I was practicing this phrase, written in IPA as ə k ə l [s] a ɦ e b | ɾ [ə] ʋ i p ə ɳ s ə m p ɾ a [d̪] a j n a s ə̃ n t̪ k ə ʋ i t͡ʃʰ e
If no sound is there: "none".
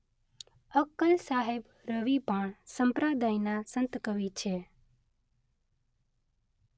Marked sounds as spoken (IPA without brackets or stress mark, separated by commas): s, ə, d̪